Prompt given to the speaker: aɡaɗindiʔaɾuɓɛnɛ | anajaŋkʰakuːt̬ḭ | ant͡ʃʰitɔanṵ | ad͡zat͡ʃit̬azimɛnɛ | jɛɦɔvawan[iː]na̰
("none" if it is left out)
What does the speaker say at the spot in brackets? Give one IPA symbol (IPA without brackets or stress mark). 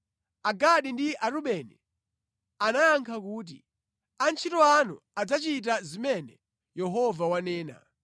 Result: ɛː